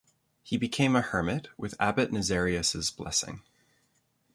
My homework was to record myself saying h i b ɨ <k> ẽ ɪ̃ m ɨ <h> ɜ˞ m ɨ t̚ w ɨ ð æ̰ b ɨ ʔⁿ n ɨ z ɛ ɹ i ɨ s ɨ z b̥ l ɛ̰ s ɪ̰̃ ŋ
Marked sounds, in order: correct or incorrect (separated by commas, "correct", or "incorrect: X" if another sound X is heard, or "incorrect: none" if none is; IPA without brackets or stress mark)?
incorrect: kʰ, correct